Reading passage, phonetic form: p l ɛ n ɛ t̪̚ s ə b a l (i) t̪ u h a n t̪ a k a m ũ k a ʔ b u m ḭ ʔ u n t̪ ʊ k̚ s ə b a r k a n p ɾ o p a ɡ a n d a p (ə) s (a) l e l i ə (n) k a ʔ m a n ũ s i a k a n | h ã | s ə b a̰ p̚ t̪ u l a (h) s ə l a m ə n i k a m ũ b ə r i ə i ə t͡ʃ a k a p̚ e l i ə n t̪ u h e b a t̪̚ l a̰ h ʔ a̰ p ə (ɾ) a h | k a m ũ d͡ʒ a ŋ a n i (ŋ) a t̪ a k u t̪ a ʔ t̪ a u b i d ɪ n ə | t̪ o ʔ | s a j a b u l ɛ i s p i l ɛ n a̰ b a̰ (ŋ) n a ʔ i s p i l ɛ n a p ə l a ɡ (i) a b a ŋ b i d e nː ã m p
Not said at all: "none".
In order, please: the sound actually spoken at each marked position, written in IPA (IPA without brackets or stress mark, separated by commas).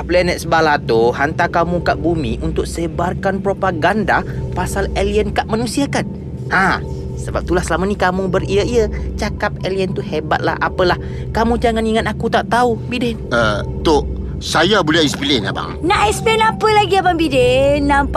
a, a, a, n, h, l, ŋ, ŋ, i